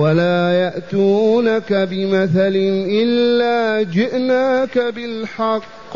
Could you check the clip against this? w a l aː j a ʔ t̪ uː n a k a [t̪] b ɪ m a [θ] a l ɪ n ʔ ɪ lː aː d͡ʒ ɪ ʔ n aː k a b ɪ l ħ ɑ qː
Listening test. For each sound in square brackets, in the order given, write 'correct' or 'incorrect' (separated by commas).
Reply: incorrect, correct